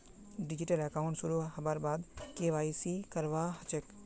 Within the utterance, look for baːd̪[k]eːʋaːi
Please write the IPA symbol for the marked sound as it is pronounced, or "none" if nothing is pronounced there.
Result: k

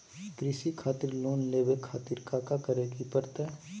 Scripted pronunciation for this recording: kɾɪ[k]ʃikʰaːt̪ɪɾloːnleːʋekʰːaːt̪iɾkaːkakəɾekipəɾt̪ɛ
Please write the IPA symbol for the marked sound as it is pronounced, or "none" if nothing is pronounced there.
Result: none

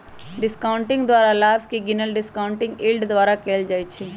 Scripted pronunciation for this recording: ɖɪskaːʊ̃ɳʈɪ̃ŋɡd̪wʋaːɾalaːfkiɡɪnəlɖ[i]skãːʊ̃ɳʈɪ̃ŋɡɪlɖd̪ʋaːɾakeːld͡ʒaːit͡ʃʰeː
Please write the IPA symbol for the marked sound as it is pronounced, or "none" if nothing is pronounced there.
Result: ɪ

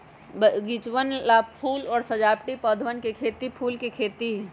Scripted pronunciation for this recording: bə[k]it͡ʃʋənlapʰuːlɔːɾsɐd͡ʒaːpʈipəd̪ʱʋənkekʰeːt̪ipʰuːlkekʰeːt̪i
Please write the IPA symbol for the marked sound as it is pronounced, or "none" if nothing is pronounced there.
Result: ɡ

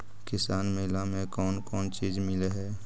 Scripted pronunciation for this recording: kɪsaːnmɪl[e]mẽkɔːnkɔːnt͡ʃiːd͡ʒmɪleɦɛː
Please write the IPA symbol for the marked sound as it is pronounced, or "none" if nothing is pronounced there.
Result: a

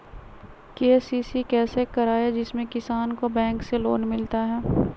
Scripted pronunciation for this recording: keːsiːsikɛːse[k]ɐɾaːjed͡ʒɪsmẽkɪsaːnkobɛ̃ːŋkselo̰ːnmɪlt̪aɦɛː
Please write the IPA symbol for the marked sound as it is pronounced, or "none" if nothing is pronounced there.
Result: k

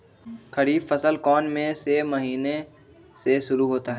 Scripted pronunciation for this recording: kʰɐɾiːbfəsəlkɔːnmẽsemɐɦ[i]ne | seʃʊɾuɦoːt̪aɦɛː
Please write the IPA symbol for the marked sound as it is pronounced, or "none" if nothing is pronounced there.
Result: iː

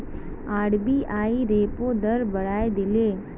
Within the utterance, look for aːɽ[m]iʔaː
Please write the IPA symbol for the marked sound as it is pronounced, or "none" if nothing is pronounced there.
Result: b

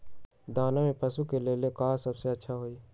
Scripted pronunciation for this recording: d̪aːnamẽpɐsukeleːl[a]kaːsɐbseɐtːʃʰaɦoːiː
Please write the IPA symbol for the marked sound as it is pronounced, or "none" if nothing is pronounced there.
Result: e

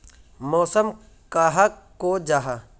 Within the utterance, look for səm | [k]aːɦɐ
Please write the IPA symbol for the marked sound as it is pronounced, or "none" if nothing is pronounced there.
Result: k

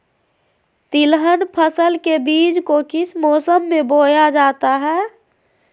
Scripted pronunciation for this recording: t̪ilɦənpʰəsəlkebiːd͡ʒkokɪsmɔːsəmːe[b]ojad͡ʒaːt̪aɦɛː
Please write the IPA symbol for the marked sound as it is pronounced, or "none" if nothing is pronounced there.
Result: b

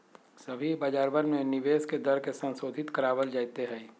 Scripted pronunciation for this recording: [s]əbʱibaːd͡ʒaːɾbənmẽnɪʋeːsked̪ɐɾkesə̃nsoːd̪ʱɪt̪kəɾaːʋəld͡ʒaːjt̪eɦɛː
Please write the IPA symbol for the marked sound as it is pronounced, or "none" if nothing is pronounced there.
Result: s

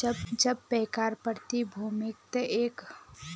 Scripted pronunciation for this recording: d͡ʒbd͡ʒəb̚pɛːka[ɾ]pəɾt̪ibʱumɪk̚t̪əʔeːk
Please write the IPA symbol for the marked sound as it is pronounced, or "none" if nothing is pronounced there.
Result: ɾ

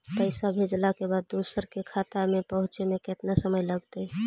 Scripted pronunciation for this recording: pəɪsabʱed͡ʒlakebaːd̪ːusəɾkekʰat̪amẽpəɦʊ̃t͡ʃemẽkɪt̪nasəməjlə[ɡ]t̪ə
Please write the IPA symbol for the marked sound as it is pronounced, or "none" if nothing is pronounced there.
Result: ɡ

